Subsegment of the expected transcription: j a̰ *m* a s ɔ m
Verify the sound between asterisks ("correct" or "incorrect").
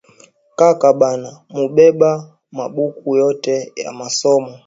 correct